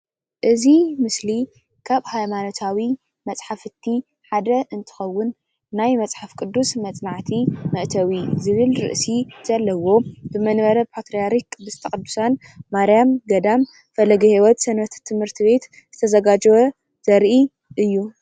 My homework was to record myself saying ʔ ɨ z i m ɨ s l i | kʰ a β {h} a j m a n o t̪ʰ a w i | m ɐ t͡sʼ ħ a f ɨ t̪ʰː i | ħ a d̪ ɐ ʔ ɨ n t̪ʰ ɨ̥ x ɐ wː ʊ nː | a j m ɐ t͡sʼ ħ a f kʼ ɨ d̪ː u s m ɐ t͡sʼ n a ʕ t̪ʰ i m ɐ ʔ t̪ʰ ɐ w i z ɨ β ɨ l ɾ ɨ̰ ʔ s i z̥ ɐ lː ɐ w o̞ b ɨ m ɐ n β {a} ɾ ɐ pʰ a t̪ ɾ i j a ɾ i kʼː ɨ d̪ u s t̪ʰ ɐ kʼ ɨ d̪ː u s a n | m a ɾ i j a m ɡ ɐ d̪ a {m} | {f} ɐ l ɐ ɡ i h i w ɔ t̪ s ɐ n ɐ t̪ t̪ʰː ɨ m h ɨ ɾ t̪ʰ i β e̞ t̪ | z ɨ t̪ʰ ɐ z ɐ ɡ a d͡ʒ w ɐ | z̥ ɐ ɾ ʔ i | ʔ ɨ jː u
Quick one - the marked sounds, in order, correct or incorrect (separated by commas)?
correct, incorrect, correct, correct